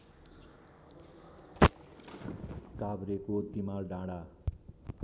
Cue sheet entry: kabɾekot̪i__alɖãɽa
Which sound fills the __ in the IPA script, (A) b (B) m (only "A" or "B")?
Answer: B